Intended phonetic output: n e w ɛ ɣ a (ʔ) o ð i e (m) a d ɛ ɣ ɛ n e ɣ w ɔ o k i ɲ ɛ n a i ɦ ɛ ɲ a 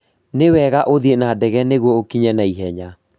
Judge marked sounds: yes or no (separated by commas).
yes, no